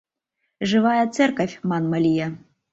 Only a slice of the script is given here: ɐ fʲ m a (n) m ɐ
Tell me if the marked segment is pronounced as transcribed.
yes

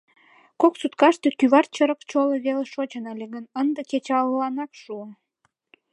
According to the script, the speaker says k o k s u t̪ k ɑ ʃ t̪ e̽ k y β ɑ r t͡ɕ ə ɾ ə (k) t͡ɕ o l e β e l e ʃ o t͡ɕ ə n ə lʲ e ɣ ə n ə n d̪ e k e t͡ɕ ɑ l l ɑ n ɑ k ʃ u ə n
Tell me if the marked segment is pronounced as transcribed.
yes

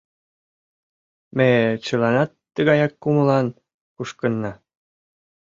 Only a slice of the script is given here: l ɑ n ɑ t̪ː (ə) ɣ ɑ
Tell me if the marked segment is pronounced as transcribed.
yes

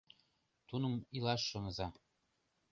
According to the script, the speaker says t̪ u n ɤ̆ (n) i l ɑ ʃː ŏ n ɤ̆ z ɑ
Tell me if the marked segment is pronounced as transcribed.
no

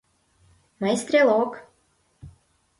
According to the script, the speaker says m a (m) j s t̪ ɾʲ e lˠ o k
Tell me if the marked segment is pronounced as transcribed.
no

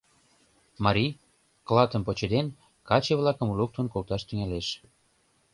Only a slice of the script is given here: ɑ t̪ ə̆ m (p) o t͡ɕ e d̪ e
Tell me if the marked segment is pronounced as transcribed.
yes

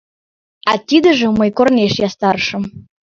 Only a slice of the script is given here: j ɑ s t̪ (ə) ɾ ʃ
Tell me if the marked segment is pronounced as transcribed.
no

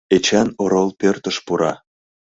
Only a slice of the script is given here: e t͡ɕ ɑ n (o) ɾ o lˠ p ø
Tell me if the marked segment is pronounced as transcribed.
yes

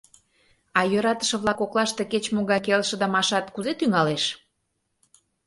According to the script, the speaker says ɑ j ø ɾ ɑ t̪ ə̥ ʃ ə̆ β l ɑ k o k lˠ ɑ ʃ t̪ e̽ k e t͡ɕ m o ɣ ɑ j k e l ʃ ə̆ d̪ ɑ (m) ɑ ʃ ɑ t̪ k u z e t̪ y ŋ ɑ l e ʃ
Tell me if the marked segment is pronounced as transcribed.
yes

